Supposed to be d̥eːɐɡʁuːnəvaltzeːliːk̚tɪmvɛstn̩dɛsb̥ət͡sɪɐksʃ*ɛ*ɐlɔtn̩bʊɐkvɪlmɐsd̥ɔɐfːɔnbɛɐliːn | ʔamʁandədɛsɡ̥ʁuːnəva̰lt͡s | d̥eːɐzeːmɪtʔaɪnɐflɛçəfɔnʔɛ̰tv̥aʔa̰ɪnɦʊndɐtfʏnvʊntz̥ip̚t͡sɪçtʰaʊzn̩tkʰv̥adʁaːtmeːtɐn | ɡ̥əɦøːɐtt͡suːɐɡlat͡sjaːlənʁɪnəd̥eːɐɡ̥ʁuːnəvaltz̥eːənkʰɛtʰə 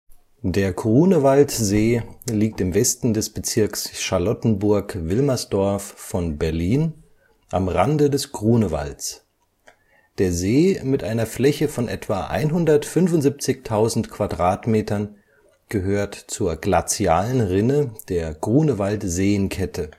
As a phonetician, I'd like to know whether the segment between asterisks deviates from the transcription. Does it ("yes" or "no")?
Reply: yes